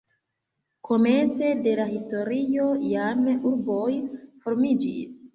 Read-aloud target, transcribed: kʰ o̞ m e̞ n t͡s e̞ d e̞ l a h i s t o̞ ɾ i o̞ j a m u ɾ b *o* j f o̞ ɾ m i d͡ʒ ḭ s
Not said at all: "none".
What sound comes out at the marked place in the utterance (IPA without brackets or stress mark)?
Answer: o